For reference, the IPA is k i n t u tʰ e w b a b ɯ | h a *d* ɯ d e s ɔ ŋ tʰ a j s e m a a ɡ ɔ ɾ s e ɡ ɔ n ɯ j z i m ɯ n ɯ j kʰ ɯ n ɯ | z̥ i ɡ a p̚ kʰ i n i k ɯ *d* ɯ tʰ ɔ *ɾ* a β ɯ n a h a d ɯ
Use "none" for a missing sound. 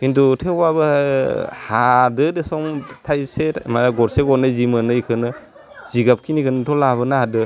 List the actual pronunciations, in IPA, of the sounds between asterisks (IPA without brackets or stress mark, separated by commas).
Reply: d, n, l